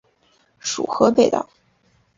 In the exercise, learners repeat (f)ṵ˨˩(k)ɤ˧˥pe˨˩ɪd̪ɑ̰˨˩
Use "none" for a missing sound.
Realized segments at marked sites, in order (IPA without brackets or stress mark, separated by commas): ʂ, x